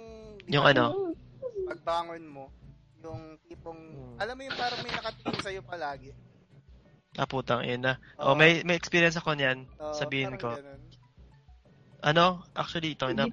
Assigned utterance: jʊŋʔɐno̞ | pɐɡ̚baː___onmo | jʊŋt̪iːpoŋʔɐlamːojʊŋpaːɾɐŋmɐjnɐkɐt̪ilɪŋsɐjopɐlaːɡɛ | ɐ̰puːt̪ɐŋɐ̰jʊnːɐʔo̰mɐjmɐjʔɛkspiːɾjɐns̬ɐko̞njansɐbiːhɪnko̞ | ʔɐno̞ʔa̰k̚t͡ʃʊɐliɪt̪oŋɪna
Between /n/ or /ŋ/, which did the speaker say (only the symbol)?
ŋ